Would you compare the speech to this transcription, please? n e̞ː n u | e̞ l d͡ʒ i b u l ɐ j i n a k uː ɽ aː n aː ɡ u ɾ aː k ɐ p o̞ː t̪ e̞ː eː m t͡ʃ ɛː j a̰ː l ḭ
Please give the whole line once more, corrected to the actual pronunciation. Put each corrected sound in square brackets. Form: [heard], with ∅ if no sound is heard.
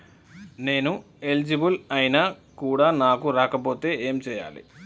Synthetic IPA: n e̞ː n u | e̞ l d͡ʒ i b u l ɐ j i n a k uː ɽ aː n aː [k] u ɾ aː k ɐ p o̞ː t̪ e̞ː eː m t͡ʃ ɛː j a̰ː l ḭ